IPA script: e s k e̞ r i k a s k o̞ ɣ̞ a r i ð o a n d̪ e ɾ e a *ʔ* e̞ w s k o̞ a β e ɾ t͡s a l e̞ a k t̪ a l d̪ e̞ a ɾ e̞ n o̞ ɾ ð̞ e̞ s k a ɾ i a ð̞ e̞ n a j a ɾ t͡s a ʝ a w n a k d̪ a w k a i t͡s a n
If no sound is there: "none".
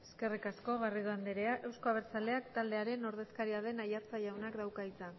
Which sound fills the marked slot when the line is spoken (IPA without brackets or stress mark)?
ʔ